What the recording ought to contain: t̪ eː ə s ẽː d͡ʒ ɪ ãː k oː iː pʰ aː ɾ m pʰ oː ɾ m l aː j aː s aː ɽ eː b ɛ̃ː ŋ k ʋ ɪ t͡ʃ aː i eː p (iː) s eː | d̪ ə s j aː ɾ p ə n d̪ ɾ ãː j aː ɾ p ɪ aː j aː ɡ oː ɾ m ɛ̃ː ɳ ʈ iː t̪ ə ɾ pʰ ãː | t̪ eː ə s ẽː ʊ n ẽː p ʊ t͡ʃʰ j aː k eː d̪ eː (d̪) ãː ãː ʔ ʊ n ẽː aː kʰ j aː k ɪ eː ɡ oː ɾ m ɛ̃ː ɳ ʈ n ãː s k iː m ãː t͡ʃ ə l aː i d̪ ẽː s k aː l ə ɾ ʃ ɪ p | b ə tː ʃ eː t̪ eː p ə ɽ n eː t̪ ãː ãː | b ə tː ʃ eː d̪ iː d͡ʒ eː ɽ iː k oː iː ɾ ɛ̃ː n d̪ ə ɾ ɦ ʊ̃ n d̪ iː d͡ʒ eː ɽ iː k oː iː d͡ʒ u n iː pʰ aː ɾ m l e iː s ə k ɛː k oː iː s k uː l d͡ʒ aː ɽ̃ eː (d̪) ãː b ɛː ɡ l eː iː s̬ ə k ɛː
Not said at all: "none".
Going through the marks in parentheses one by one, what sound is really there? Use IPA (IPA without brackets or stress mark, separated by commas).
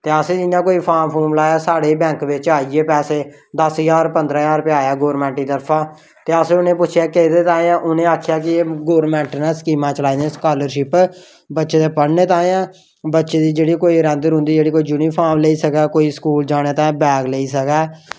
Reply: ɛː, t̪, t̪